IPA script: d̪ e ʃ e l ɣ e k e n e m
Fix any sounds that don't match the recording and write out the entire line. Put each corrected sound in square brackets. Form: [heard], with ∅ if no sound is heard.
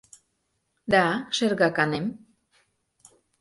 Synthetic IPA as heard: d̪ [a] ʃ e [ɾ] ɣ [a] k [a] n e m